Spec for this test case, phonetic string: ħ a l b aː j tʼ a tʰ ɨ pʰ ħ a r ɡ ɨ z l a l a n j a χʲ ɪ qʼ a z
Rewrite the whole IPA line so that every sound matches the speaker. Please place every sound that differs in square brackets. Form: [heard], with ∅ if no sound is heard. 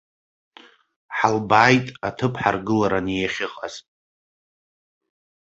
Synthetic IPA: ħ a l b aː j tʼ a tʰ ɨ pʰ ħ a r ɡ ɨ [∅] l a [ɾ] a n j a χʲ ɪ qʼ a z